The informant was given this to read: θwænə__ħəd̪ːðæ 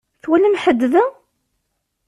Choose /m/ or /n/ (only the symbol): m